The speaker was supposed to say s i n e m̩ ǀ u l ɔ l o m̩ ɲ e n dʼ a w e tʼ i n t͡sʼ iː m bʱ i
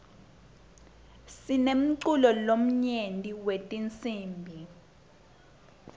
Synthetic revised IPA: s i n e m̩ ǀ u l ɔ l o m̩ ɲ e n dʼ i w e tʼ i n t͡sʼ iː m bʱ i